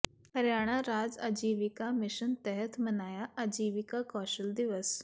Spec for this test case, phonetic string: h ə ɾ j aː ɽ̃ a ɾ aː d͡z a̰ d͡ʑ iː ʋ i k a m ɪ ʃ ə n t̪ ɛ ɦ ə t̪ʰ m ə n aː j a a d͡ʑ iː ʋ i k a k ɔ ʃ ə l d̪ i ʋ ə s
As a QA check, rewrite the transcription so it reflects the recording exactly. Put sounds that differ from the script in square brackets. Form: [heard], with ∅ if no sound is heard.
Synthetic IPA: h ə ɾ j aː ɽ̃ a ɾ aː d͡z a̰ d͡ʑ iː ʋ i k a m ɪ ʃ ə n t̪ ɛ ɦ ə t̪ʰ m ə n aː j a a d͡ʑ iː ʋ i k a k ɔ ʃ ə l d̪ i ʋ ə s